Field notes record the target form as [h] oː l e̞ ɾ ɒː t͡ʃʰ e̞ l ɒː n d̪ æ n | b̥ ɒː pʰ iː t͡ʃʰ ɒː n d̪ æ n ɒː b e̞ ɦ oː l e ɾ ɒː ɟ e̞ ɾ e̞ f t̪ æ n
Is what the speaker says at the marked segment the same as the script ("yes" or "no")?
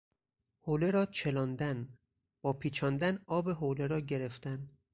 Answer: yes